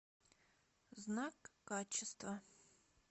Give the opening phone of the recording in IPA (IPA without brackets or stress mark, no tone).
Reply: z